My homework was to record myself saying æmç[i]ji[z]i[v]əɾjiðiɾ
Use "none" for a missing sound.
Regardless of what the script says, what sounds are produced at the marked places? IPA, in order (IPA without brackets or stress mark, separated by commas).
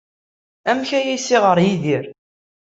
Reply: æ, s, ʁ